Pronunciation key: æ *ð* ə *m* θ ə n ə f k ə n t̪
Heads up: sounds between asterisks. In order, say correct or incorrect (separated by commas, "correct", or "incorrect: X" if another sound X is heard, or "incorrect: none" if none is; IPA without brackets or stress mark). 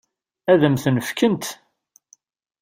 correct, correct